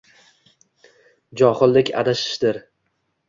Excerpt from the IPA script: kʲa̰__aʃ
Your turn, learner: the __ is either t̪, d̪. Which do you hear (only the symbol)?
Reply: d̪